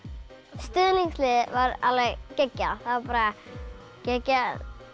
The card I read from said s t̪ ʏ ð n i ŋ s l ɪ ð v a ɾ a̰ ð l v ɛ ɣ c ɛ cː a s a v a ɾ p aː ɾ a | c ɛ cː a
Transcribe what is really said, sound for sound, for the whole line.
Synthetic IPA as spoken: s t̪ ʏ ð n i ŋ s l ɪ ð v a ɾ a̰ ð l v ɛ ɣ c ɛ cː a θ a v a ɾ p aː ɾ a | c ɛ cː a